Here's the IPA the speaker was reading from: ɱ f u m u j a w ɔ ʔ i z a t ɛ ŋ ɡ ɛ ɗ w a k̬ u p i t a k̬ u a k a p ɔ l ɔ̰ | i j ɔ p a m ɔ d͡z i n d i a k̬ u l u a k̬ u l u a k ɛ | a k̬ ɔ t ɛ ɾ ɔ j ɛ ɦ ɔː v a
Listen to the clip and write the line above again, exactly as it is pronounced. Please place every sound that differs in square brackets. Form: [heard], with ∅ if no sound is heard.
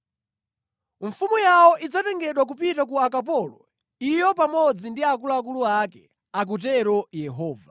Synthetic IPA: ɱ f u m u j a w ɔ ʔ i [d͡z] a t ɛ ŋ ɡ ɛ ɗ w a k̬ u p i t a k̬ u a k a p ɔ l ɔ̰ | i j ɔ p a m ɔ d͡z i n d i a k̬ u l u a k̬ u l u a k ɛ | a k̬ [u] t ɛ ɾ ɔ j ɛ ɦ ɔː v a

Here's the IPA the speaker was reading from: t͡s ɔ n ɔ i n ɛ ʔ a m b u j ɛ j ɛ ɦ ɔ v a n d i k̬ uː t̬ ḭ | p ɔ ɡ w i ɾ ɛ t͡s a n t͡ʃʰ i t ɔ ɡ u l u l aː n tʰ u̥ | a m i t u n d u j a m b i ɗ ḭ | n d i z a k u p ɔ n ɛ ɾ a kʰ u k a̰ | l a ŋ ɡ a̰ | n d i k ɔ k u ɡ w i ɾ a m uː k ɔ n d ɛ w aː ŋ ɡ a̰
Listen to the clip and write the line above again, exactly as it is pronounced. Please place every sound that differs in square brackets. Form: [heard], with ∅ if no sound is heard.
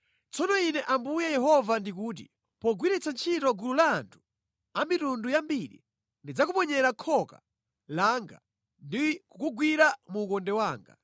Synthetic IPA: t͡s ɔ n ɔ i n ɛ ʔ a m b u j ɛ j ɛ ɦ ɔ v a n d i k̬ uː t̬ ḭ | p ɔ ɡ w i ɾ ɛ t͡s a n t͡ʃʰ i t ɔ ɡ u l u l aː n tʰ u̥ | a m i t u n d u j a m b i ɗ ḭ | n d i [d͡z] a k u p ɔ [ɲ] ɛ ɾ a kʰ [ɔ] k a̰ | l a ŋ ɡ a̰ | n d i k [u] k u ɡ w i ɾ a m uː k ɔ n d ɛ w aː ŋ ɡ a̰

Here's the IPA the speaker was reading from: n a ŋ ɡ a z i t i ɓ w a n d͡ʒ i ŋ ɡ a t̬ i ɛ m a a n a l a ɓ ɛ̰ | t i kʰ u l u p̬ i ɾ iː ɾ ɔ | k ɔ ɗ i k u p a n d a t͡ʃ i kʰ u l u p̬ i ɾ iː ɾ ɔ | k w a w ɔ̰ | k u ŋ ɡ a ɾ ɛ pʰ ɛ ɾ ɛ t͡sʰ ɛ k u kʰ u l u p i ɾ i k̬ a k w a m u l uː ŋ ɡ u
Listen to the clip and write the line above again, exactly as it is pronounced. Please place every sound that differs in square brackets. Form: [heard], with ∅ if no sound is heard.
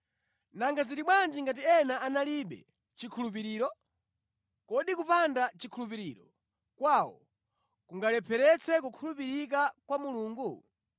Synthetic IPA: n a ŋ ɡ a z i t i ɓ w a n d͡ʒ i ŋ ɡ a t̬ i ɛ [n] a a n a l [i] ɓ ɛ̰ | [t͡ʃ] i kʰ u l u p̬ i ɾ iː ɾ ɔ | k ɔ ɗ i k u p a n d a t͡ʃ i kʰ u l u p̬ i ɾ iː ɾ ɔ | k w a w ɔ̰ | k u ŋ ɡ a [l] ɛ pʰ ɛ ɾ ɛ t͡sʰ ɛ k u kʰ u l u p i ɾ i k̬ a k w a m u l uː ŋ ɡ u

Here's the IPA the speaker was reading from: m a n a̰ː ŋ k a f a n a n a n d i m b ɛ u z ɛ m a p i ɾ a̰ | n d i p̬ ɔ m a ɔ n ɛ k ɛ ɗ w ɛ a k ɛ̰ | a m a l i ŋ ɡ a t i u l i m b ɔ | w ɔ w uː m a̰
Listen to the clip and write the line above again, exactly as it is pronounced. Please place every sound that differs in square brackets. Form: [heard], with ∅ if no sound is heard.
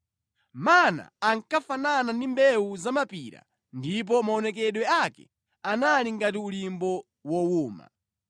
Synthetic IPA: m a n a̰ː ŋ k a f a n a n a n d i m b ɛ u z [a] m a p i ɾ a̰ | n d i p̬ ɔ m a ɔ n ɛ k ɛ ɗ w ɛ a k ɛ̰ | a [n] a l i ŋ ɡ a t i u l i m b ɔ | w ɔ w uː m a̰

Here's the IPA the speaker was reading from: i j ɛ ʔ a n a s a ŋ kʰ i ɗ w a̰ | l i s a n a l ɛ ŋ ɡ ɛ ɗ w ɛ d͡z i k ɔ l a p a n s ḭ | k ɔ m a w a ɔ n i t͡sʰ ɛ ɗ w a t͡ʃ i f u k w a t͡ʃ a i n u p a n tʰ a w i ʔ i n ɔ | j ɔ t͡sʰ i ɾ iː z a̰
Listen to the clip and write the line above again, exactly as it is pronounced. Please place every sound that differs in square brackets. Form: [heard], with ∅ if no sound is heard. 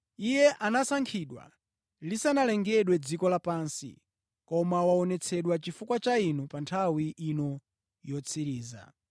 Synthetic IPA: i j ɛ ʔ a n a s a ŋ kʰ i ɗ w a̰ | l i s a n a l ɛ ŋ ɡ ɛ ɗ w ɛ d͡z i k ɔ l a p a n s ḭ | k ɔ m a w a ɔ n [ɛ] t͡sʰ ɛ ɗ w a t͡ʃ i f u k w a t͡ʃ a i n u p a n tʰ a w i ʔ i n ɔ | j ɔ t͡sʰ i ɾ iː z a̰

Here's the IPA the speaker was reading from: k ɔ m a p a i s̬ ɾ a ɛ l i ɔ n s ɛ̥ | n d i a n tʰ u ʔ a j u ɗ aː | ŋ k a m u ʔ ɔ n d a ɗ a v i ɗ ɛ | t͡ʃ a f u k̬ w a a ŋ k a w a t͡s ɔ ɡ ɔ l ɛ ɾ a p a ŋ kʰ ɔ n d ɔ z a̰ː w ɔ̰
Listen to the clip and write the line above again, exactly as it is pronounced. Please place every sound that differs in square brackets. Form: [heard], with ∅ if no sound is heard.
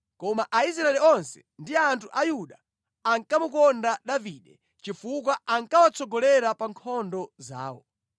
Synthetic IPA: k ɔ m a [ʔ] a i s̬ ɾ a ɛ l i ɔ n s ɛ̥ | n d i a n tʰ u ʔ a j u ɗ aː | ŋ k a m u [k] ɔ n d a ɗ a v i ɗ ɛ | t͡ʃ [i] f u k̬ w a a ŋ k a w a t͡s ɔ ɡ ɔ l ɛ ɾ a p a ŋ kʰ ɔ n d ɔ z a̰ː w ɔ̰

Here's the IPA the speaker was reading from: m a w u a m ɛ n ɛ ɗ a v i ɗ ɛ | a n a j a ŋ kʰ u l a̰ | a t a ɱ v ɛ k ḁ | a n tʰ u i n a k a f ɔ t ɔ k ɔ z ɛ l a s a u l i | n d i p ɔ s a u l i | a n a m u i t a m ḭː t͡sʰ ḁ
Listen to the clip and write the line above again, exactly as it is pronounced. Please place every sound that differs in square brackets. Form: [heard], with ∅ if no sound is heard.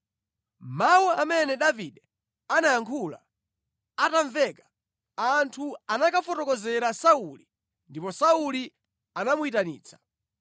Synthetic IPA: m a w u a m ɛ n ɛ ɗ a v i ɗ ɛ | a n a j a ŋ kʰ u l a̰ | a t a ɱ v ɛ k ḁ | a n tʰ u [a] n a k a f ɔ t ɔ k ɔ z ɛ [ɾ] a s a u l i | n d i p ɔ s a u l i | a n a m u i t a [n] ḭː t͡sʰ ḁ

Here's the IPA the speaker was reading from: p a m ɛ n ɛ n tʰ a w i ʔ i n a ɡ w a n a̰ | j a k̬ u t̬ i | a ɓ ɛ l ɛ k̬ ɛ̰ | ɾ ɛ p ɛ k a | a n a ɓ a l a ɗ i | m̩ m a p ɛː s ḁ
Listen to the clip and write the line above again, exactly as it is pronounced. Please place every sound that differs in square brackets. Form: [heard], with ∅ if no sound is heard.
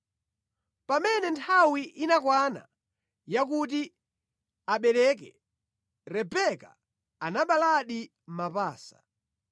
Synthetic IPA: p a m ɛ n ɛ n tʰ a w i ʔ i n a [k] w a n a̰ | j a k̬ u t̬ i | a ɓ ɛ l ɛ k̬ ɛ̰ | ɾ ɛ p ɛ k a | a n a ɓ a l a ɗ i | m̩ m a p [aː] s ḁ

